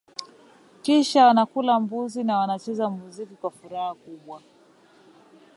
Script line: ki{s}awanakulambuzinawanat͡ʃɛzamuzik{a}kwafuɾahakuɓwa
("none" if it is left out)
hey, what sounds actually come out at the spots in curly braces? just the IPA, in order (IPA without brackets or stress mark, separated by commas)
ʃ, i